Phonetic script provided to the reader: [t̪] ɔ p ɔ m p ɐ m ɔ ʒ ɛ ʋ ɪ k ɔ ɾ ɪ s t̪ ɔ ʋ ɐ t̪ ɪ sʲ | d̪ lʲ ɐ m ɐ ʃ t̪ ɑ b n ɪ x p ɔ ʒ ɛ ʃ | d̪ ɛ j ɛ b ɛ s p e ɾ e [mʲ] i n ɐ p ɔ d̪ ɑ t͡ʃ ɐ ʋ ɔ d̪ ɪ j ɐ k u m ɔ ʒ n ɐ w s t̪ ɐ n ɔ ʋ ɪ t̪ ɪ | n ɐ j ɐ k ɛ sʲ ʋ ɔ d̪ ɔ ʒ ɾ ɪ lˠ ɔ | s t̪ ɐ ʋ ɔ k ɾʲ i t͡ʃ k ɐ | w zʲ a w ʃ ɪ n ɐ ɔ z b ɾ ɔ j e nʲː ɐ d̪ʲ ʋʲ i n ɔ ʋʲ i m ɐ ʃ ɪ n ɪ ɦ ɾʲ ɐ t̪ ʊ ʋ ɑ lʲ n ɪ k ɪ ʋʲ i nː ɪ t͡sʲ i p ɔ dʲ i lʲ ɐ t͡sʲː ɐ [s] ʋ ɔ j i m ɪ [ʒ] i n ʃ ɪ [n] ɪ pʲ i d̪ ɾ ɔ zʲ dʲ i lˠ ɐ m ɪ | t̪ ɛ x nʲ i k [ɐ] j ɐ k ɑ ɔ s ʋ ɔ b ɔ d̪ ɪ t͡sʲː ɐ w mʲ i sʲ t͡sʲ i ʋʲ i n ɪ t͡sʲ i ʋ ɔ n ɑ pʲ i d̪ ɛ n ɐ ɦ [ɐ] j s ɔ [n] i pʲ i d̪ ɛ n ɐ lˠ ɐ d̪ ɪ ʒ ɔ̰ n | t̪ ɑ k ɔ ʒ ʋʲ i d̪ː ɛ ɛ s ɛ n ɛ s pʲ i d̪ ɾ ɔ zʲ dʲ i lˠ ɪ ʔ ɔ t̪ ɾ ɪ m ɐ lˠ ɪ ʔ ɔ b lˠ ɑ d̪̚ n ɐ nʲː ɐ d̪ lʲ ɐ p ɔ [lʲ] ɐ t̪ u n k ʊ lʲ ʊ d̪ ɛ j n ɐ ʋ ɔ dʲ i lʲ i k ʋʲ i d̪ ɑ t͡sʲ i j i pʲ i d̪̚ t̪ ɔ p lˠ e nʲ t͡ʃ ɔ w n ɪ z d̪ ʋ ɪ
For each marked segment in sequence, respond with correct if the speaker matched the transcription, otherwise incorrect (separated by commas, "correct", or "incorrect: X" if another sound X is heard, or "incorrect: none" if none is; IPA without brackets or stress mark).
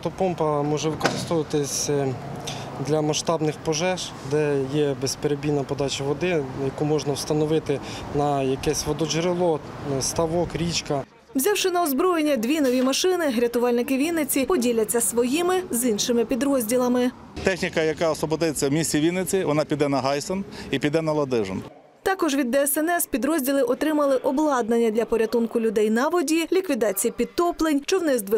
correct, incorrect: bʲ, correct, incorrect: z, incorrect: m, correct, incorrect: ɑ, correct, incorrect: ɾʲ